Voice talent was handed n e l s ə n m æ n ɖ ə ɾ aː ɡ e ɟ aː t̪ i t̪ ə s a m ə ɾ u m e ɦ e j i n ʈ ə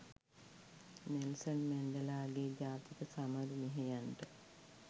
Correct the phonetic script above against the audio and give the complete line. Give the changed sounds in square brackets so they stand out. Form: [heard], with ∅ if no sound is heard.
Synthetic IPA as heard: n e l s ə n m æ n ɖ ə [l] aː ɡ e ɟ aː t̪ i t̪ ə s a m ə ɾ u m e ɦ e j [a] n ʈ ə